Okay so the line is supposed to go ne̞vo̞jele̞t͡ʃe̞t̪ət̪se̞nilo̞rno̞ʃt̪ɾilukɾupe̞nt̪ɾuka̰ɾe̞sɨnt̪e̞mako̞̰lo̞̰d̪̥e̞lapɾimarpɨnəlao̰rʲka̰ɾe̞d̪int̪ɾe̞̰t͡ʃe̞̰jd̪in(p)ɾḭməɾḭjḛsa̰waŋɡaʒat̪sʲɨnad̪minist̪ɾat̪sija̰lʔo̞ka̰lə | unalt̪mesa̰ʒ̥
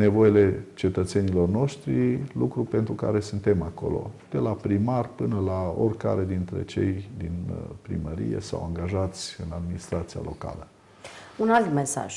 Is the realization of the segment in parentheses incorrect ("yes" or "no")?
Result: no